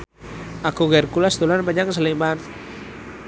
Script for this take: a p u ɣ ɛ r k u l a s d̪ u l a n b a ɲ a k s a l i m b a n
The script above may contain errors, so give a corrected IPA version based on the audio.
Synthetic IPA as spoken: a k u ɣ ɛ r k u l a s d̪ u l a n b a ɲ a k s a l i m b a n